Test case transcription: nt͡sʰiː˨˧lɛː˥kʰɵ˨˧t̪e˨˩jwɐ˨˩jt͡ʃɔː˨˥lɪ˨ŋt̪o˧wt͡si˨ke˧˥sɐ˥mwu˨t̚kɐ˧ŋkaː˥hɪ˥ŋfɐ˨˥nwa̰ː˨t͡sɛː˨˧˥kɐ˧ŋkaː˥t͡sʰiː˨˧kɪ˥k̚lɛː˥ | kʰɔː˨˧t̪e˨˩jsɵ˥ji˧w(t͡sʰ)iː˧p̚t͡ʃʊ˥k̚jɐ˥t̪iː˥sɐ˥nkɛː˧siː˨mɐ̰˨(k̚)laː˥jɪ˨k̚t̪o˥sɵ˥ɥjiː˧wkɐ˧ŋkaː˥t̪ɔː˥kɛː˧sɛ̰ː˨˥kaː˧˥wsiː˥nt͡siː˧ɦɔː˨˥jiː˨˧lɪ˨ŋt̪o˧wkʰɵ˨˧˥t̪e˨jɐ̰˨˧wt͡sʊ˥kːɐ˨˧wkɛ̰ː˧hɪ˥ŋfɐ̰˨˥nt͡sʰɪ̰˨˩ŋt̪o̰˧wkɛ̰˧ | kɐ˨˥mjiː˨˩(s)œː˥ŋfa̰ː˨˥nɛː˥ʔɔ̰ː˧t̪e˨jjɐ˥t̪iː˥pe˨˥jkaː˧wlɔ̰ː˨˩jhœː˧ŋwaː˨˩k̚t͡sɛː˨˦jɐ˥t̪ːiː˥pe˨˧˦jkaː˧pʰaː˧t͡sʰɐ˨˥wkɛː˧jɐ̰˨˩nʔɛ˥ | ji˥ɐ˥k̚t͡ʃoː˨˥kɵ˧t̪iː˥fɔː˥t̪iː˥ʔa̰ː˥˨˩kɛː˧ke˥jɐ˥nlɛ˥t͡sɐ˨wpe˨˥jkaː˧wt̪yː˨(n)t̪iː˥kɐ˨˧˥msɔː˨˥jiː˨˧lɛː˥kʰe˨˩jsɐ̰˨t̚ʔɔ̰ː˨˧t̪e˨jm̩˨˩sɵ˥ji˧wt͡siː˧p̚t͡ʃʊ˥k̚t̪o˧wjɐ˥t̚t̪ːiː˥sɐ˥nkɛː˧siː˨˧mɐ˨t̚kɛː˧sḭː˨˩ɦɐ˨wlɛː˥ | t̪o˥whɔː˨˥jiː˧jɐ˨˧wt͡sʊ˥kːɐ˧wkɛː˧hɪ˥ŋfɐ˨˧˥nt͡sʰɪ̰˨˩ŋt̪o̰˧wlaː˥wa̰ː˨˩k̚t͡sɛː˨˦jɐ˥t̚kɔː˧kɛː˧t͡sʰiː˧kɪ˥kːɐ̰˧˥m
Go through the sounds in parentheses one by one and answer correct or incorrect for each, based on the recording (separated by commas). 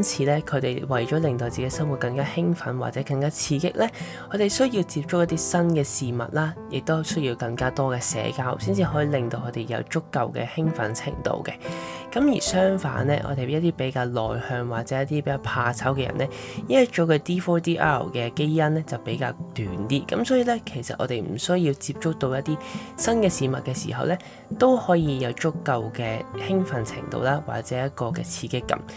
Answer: incorrect, incorrect, correct, correct